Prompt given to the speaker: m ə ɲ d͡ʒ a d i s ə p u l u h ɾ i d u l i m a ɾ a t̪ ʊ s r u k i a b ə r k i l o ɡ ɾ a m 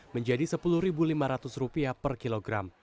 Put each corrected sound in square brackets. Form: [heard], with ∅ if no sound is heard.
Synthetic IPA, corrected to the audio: m ə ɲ d͡ʒ a d i s ə p u l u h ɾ i [b] u l i m a ɾ a t̪ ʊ s r u [p] i a [p] ə r k i l o ɡ ɾ a m